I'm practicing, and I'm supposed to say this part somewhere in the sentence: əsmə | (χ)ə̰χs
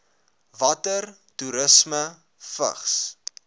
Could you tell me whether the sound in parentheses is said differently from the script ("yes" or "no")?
yes